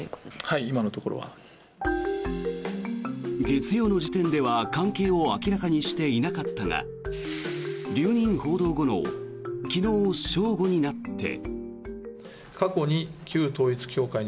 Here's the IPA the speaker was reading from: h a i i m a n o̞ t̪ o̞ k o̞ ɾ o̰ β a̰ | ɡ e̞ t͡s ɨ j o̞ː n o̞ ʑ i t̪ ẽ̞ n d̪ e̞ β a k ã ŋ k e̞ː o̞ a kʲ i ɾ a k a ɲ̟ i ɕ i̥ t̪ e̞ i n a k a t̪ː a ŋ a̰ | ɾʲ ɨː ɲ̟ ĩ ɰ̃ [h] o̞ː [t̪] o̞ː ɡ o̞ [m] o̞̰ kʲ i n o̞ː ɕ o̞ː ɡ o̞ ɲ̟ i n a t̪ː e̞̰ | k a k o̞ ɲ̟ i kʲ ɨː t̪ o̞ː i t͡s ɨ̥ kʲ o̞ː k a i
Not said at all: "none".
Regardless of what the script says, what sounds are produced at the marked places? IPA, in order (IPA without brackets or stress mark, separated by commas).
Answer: h, d̪, n